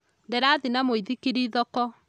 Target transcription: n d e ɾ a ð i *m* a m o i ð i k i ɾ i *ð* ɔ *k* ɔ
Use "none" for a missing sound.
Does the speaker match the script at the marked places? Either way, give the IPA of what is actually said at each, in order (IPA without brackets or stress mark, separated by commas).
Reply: n, ð, k